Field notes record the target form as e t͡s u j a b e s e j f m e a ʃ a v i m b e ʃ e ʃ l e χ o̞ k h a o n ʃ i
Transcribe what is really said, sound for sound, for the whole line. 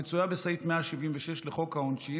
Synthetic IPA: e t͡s u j a b e s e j f m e a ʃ i v i m v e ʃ e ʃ l e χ o̞ k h a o n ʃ i